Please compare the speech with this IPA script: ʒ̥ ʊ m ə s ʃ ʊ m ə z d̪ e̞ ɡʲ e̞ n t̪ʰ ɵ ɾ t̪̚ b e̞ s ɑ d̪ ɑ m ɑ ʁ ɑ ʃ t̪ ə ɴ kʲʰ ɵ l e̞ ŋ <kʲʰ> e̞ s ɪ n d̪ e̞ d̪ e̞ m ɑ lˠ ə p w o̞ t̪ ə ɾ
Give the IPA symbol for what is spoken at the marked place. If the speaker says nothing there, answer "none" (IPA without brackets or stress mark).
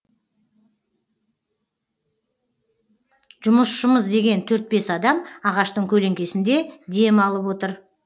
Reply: kʲ